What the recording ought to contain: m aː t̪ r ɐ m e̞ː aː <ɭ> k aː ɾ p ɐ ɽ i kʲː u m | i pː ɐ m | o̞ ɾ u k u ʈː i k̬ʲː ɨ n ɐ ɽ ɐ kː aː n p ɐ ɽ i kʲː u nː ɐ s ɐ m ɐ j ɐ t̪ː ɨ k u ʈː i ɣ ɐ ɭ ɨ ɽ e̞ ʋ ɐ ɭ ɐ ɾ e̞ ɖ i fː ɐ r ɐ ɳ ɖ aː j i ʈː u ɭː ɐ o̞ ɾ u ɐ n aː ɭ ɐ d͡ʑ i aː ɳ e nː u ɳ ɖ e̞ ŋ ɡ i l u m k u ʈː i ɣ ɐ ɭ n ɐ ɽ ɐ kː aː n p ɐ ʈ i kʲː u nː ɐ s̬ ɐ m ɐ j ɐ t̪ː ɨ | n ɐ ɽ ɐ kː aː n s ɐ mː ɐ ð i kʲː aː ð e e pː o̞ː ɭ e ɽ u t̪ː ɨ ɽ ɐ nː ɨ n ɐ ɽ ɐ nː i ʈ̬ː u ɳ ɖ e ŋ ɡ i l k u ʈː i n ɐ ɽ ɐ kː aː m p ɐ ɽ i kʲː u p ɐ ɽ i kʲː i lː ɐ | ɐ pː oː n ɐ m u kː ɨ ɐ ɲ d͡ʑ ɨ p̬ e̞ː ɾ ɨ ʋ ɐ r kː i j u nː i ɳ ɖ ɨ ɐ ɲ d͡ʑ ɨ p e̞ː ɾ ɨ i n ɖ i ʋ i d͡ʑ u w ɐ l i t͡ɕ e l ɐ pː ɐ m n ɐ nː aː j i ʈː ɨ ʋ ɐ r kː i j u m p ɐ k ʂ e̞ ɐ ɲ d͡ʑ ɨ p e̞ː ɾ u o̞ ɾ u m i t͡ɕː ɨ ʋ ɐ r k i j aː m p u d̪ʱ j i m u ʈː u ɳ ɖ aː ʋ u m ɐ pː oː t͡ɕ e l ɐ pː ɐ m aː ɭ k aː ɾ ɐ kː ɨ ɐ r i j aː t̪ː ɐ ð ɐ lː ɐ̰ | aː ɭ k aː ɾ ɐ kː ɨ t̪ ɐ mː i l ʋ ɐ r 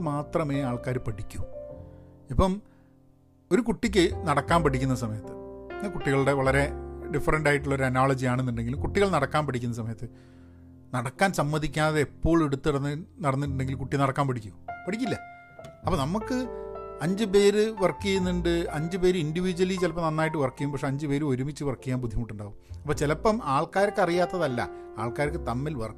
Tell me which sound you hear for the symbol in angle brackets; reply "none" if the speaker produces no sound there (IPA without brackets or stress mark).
ɭ